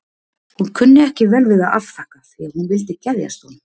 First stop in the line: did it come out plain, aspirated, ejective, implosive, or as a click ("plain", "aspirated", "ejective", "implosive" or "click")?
aspirated